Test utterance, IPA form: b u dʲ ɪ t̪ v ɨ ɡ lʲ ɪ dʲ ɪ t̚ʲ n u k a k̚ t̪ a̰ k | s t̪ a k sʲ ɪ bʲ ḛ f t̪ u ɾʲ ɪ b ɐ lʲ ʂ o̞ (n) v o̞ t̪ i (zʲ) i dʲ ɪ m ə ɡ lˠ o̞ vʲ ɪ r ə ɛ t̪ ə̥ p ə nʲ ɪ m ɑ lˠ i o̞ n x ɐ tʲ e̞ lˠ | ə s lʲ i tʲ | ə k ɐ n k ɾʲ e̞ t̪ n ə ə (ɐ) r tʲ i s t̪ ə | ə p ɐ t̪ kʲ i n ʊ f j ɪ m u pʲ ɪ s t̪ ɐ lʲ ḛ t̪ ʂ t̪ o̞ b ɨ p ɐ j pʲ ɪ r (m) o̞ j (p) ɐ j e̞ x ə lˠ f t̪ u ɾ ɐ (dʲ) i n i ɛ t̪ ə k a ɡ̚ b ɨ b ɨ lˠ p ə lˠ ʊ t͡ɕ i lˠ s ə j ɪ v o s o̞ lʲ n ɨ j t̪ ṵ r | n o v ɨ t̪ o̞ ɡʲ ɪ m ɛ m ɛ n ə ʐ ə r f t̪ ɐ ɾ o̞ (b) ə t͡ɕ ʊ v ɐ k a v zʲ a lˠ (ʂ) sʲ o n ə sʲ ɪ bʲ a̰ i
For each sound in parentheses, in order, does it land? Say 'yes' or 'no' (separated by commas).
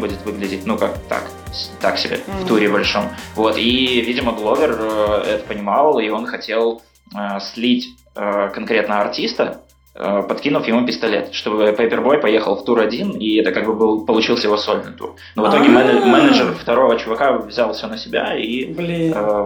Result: no, no, yes, no, yes, yes, no, no